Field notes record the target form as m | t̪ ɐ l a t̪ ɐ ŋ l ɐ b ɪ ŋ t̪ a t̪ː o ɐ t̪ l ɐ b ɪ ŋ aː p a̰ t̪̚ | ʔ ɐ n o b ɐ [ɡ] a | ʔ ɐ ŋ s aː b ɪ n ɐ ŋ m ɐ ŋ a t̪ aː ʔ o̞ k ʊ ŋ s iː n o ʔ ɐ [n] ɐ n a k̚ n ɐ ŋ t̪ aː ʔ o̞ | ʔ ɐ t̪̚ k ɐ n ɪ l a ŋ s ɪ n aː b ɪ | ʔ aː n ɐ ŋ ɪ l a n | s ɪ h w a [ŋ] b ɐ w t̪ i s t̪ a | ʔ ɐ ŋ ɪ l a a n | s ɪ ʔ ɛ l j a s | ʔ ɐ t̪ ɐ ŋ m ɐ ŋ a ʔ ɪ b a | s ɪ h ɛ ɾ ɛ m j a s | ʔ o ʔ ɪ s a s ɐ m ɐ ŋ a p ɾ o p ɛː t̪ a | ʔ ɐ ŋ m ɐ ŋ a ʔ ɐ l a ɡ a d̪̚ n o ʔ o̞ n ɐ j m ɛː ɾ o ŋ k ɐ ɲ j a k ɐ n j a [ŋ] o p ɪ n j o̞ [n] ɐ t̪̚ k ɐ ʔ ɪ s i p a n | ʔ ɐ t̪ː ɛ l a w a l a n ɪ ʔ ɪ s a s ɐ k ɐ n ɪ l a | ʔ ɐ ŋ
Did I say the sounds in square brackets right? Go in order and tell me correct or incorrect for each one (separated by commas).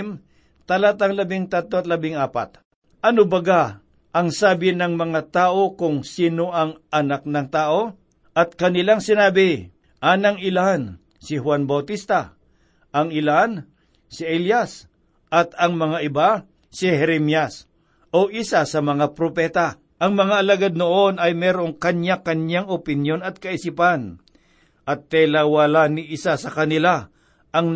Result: correct, incorrect, incorrect, correct, correct